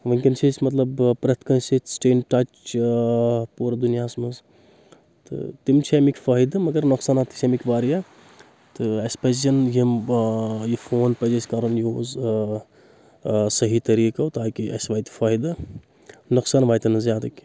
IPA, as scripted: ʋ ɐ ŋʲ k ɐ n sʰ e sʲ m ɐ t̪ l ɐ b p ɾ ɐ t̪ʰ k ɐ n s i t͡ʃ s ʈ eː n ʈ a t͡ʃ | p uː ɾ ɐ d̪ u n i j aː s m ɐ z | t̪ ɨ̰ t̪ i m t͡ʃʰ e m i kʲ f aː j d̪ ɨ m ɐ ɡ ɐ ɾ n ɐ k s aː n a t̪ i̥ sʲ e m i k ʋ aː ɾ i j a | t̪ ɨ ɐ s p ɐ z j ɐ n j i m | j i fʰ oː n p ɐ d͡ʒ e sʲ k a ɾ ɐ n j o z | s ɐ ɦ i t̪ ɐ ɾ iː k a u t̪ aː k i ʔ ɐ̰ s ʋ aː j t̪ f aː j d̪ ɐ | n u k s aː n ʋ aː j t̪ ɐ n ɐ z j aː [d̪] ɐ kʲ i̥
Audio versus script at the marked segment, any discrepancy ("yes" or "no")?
no